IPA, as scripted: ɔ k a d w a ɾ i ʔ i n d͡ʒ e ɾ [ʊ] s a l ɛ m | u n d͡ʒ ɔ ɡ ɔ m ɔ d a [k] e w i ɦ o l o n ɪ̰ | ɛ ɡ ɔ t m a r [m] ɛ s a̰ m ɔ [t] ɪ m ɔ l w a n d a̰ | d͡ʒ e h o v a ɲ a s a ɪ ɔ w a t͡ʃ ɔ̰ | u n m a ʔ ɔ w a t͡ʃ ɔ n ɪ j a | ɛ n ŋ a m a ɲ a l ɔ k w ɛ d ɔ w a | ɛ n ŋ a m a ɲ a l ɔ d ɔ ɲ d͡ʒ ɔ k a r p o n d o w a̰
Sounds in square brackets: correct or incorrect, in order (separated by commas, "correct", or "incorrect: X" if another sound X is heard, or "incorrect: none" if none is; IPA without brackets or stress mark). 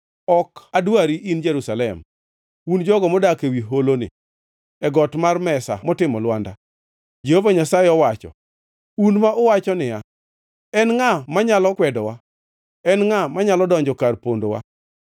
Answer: incorrect: u, correct, correct, correct